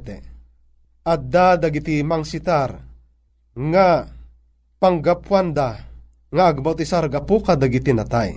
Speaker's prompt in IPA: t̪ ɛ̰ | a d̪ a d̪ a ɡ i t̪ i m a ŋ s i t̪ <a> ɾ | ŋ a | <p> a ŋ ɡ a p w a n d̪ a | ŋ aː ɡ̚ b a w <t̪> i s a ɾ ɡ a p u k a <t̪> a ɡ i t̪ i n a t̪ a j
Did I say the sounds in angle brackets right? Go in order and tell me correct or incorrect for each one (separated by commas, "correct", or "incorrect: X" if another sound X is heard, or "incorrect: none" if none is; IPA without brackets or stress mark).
correct, correct, correct, incorrect: d̪